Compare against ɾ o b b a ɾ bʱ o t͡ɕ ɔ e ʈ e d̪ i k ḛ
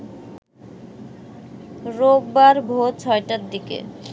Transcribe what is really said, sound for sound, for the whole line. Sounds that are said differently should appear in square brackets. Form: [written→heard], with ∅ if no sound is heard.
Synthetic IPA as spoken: ɾ o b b a ɾ bʱ o [t͡ɕ→t͡ɕʰ] ɔ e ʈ [e→a] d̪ i k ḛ